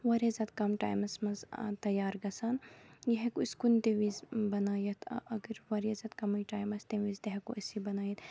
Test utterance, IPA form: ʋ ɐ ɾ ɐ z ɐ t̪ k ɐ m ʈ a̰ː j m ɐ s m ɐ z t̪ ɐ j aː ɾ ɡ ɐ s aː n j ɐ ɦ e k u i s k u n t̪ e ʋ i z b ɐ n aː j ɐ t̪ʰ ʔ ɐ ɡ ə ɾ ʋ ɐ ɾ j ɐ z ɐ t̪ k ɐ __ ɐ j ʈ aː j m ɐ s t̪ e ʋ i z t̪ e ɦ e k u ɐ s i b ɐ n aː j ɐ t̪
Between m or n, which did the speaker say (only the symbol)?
m